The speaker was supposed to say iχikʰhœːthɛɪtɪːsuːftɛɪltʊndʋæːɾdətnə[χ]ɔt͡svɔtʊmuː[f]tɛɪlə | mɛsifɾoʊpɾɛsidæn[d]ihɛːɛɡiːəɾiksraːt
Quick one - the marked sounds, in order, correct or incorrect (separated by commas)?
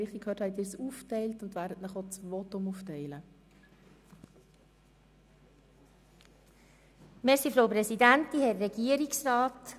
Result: correct, correct, incorrect